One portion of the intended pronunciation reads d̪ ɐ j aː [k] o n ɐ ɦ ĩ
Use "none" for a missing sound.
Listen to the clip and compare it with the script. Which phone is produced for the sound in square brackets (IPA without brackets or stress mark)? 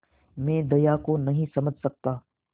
k